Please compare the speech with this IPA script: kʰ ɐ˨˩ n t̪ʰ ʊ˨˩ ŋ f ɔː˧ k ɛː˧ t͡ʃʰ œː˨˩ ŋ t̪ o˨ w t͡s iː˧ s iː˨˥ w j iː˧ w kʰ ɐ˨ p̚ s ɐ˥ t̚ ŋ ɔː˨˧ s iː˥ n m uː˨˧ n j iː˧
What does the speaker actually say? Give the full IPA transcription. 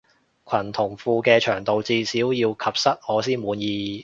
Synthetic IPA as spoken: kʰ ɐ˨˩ n t̪ʰ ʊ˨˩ ŋ f uː˧ k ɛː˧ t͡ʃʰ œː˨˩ ŋ t̪ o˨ w t͡s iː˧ s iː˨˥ w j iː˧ w kʰ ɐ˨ p̚ s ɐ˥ t̚ ŋ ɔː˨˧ s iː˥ n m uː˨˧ n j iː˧